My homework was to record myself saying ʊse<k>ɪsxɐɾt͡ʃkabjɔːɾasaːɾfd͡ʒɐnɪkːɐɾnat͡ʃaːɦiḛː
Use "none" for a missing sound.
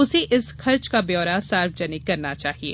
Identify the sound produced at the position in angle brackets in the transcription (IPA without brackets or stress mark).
ʔ